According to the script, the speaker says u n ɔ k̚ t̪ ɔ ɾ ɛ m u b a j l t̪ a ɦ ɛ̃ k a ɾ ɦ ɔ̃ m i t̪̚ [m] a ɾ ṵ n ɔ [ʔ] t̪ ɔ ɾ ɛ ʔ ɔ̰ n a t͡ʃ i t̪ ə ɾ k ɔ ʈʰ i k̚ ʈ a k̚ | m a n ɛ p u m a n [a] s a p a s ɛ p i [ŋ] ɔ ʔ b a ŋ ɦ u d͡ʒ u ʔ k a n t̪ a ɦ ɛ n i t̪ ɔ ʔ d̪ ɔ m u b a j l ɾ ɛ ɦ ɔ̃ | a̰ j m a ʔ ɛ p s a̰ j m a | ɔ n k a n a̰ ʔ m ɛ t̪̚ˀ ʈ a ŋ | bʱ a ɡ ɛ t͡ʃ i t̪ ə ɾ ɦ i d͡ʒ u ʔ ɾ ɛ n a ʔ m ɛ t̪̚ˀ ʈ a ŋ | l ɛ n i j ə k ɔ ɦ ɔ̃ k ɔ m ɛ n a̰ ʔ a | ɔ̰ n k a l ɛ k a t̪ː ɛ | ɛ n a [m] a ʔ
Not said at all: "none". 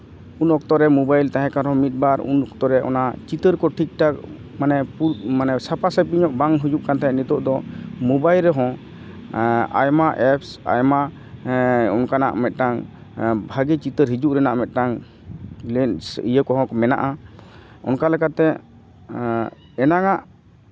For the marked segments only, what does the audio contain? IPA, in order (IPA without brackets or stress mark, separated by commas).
b, k, ɛ, ɲ, ŋ